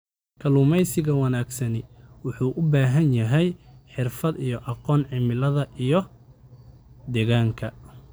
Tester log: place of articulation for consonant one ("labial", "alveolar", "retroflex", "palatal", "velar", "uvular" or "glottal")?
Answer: velar